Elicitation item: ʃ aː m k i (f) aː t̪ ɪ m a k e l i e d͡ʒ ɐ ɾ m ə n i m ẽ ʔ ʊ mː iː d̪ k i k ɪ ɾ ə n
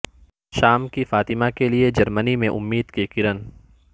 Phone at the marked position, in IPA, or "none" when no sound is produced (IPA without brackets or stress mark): f